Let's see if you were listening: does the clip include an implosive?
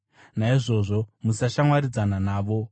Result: no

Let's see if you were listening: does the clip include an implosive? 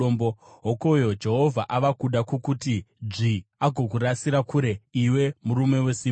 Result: yes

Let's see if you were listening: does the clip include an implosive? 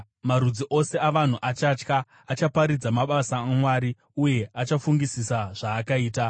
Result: yes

